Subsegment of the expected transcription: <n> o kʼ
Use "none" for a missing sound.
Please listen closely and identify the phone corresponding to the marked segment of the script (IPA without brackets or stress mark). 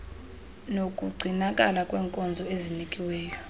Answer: n